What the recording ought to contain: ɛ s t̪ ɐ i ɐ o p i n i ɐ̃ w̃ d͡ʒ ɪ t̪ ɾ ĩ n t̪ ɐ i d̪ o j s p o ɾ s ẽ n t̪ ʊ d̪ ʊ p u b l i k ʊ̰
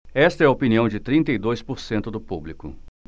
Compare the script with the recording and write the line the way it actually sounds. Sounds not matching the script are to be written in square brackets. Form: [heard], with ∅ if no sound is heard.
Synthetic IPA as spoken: ɛ s t̪ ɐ [ɛ] ɐ o p i n i ɐ̃ w̃ d͡ʒ ɪ t̪ ɾ ĩ n t̪ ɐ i d̪ o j s p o ɾ s ẽ n t̪ ʊ d̪ ʊ p u b l i k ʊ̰